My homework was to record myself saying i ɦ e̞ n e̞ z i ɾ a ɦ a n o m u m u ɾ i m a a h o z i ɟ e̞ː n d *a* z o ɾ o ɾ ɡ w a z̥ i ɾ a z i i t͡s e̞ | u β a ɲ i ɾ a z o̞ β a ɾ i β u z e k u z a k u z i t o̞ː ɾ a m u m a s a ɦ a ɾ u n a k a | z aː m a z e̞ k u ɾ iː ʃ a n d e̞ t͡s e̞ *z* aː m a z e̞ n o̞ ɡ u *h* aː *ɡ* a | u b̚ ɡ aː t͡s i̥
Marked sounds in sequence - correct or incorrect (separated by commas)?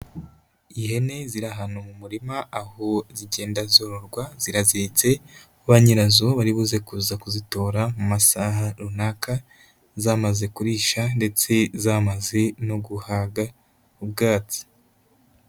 correct, correct, correct, correct